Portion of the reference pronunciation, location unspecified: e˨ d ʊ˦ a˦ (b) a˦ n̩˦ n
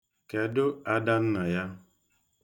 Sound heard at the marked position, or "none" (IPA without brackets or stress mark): d